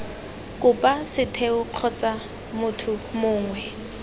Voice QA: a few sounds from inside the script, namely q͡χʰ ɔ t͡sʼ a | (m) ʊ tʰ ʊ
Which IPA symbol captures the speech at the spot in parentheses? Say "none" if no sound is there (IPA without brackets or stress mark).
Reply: m